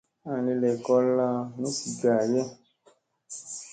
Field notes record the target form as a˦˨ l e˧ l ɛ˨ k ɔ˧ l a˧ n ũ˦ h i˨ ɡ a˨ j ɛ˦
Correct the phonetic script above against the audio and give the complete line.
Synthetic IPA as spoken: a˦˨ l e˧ l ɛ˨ k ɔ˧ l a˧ n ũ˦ s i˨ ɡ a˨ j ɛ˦